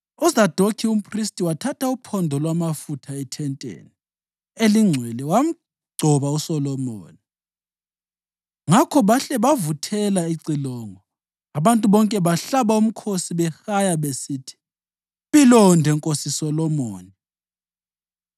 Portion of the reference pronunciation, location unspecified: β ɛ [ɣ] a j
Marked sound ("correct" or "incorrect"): incorrect